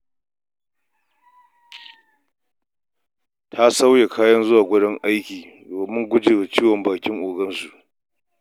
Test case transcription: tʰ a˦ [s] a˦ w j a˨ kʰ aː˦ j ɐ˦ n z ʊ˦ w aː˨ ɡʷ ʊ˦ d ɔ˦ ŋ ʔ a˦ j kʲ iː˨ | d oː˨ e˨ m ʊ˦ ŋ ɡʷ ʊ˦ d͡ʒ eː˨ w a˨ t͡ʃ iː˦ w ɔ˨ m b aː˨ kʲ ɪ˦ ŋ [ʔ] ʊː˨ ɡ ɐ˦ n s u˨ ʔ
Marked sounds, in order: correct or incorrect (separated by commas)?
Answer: correct, correct